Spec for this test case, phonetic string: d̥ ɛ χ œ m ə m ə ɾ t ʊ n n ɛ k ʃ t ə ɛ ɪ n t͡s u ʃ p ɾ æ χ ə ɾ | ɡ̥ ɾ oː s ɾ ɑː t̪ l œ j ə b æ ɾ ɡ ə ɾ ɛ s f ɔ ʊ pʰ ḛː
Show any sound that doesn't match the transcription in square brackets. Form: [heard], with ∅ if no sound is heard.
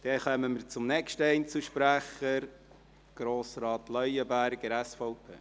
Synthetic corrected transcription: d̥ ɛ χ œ m ə m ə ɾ [t͡s] ʊ [m] n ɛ k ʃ t ə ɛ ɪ n t͡s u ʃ p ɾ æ χ ə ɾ | ɡ̥ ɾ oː s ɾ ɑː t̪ l œ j ə b æ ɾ ɡ ə ɾ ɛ s f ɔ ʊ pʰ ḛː